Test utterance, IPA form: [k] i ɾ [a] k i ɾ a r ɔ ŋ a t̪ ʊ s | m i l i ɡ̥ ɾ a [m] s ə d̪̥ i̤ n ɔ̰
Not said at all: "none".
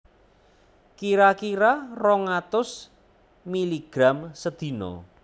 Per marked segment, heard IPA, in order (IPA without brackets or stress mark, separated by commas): k, a, m